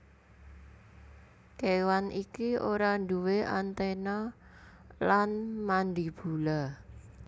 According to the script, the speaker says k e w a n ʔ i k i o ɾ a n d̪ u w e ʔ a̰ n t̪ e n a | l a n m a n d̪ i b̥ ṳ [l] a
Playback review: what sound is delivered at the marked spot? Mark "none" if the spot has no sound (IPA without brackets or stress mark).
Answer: l